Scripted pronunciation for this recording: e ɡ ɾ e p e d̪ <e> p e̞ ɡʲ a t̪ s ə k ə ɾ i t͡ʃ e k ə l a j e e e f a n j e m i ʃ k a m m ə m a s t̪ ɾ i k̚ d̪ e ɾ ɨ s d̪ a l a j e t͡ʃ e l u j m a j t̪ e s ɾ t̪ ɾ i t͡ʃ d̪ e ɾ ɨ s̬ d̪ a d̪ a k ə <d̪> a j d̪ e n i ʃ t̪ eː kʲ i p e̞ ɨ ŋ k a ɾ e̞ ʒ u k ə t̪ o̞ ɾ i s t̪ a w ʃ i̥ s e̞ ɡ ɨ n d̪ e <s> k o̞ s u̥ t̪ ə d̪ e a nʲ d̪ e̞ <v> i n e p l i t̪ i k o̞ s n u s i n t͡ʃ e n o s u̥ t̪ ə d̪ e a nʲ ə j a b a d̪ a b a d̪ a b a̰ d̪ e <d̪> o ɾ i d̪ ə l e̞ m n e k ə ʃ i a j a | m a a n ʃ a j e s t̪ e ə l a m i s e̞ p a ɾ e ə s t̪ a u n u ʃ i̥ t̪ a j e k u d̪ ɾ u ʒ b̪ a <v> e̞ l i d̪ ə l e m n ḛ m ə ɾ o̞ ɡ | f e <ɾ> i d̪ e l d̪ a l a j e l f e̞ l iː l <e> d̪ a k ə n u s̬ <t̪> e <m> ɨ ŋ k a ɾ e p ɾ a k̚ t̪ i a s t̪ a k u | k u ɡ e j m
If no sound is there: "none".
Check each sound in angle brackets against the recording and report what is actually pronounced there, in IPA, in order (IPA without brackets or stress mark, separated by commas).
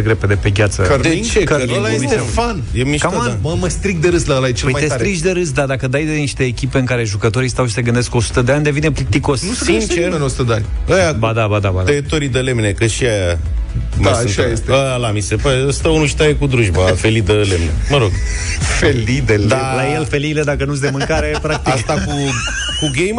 e, d̪, s, v, t̪, f, l, e, d̪, m